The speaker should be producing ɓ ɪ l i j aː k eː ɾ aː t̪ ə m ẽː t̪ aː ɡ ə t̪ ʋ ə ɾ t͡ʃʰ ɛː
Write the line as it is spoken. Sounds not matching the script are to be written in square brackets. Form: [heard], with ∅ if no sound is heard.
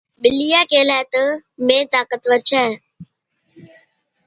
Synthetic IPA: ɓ ɪ l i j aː k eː [l] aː t̪ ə m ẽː t̪ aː [k] ə t̪ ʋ ə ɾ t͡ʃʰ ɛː